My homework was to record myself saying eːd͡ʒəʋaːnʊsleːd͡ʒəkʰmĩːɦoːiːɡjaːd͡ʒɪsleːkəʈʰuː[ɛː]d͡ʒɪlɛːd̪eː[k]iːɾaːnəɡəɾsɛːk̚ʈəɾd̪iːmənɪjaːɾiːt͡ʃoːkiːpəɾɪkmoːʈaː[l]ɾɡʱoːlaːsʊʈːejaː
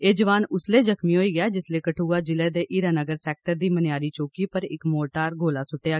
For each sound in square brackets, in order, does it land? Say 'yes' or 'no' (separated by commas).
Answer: no, no, no